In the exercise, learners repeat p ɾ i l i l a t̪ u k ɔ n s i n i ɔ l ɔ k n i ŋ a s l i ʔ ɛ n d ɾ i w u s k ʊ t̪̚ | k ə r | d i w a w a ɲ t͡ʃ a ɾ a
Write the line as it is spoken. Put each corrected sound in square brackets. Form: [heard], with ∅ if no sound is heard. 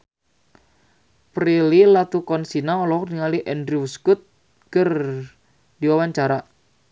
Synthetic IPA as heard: p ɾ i l i l a t̪ u k ɔ n s i n [a] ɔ l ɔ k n i ŋ a [∅] l i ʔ ɛ n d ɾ i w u s k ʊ t̪̚ | k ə r | d i w a w a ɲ t͡ʃ a ɾ a

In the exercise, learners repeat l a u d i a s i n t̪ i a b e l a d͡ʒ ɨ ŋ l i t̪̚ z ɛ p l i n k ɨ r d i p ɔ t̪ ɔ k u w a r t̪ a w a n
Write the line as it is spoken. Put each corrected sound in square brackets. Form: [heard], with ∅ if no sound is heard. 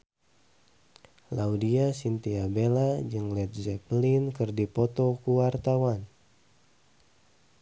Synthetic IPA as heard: l a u d i a s i n t̪ i a b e l a d͡ʒ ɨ ŋ l [ɛ] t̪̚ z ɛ p l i n k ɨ r d i p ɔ t̪ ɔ k u w a r t̪ a w a n

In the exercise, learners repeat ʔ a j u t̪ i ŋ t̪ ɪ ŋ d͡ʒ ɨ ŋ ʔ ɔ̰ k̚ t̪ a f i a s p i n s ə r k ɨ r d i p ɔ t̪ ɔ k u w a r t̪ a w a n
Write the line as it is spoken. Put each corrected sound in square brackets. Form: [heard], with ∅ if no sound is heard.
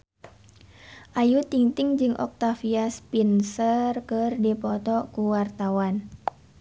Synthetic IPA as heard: ʔ a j u t̪ i ŋ t̪ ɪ ŋ d͡ʒ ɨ ŋ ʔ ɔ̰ k̚ t̪ a f i a s p i n s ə r k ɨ r d i p ɔ t̪ ɔ k u w a r t̪ a w a n

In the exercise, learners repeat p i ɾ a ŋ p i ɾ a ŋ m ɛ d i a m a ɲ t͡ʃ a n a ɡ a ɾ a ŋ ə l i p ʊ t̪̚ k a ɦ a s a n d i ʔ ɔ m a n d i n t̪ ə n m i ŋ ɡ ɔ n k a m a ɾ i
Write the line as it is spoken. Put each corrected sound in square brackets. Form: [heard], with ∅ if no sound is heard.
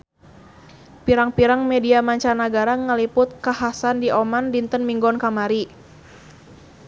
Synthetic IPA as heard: p i ɾ a ŋ p i ɾ a ŋ m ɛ d i a m a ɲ t͡ʃ a n a ɡ a ɾ a ŋ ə l i p ʊ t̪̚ k a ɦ a s a n d i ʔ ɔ m a n d i n t̪ ə n m i ŋ ɡ ɔ n k a m a ɾ i

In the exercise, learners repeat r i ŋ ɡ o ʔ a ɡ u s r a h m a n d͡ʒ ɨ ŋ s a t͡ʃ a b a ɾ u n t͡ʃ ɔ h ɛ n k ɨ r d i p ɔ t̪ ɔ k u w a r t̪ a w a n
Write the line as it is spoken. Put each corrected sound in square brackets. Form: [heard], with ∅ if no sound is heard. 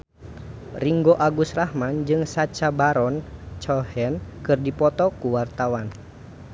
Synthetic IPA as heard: r i ŋ ɡ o ʔ a ɡ u s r a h m a n d͡ʒ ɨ ŋ s a t͡ʃ a b a ɾ [ɔ] n t͡ʃ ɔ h ɛ n k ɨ r d i p ɔ t̪ ɔ k u w a r t̪ a w a n

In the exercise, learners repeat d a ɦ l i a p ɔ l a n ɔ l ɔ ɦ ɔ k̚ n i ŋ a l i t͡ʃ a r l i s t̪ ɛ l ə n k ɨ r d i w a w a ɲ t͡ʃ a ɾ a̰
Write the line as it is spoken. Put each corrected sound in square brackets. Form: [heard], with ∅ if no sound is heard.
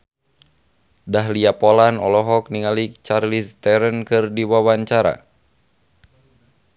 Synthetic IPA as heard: d a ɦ l i a p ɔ l a n ɔ l ɔ ɦ ɔ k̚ n i ŋ a l i t͡ʃ a r l i s t̪ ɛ [ɾ] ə n k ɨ r d i w a w a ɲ t͡ʃ a ɾ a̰

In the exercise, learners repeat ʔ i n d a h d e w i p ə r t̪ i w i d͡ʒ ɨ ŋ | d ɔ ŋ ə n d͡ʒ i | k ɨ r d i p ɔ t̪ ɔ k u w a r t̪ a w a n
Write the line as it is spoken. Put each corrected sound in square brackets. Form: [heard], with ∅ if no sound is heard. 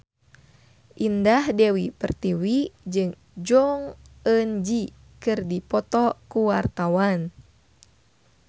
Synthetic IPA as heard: ʔ i n d a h d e w i p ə r t̪ i w i d͡ʒ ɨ ŋ | [d͡ʒ] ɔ ŋ ə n d͡ʒ i | k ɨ r d i p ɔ t̪ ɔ k u w a r t̪ a w a n

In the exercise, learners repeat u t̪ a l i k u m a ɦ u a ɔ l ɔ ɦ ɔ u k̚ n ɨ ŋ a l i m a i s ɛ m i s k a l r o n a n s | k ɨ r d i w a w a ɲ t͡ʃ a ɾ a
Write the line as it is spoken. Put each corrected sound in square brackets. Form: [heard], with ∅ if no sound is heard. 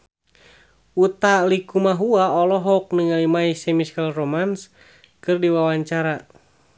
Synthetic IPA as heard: u t̪ a l i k u m a ɦ u a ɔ l ɔ ɦ ɔ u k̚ n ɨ ŋ a l i m a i s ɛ m i s k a l r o [m] a n s | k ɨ r d i w a w a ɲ t͡ʃ a ɾ a

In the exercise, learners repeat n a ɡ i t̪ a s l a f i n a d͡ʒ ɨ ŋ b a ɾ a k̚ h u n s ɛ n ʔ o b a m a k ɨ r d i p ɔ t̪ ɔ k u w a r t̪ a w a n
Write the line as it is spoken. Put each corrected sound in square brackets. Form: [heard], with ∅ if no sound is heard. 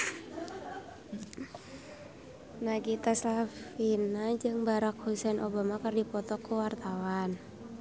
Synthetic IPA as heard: n a ɡ i t̪ a s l a f i n a d͡ʒ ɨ ŋ b a ɾ a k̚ h u [∅] s ɛ n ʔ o b a m a k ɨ r d i p ɔ t̪ ɔ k u w a r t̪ a w a n

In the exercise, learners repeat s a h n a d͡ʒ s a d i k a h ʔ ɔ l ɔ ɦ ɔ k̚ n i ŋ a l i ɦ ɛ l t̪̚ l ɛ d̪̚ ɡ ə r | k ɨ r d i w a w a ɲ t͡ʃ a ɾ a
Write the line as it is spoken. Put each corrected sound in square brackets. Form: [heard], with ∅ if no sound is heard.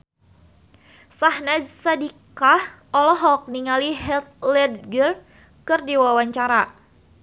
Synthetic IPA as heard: s a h n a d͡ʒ s a d i k a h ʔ ɔ l ɔ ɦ ɔ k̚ n i ŋ a l i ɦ ɛ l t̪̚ l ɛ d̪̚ ɡ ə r | k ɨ r d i w a w a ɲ t͡ʃ a ɾ a

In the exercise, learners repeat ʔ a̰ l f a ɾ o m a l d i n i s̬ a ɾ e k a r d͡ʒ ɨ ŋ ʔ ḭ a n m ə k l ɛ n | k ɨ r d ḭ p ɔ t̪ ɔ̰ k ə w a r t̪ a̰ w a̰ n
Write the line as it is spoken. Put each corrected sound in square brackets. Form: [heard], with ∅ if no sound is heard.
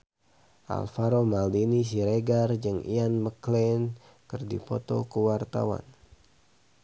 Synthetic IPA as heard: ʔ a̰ l f a ɾ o m a l d i n i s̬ [i] ɾ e [ɡ] a r d͡ʒ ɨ ŋ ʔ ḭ a n m ə k l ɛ n | k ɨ r d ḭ p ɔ t̪ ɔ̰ k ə w a r t̪ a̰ w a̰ n

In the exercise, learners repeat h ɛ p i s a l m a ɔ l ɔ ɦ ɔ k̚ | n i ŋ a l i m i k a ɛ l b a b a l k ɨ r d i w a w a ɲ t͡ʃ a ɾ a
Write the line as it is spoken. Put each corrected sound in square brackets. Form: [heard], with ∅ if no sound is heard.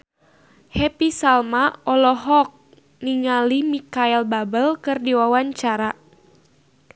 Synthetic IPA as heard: h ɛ p i s a l m a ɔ l ɔ ɦ ɔ k̚ | n i ŋ a l i m i k a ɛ l b a b [ə] l k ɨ r d i w a w a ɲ t͡ʃ a ɾ a

